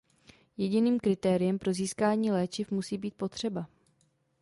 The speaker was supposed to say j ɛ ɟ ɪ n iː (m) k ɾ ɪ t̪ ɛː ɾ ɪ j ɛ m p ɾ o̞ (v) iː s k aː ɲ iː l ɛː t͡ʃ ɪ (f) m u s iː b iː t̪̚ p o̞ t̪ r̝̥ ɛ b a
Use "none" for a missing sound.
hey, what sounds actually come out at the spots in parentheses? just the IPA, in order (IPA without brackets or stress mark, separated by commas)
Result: m, z, f